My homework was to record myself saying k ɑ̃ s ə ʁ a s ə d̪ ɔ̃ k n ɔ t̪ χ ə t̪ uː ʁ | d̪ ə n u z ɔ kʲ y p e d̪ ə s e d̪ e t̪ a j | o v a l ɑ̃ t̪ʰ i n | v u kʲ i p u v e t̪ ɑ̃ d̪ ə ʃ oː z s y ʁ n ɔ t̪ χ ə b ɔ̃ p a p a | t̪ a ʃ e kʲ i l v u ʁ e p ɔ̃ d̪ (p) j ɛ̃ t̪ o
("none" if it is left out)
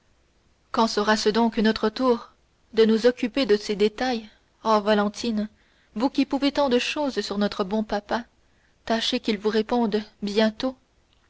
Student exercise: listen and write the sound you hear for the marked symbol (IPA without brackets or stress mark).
b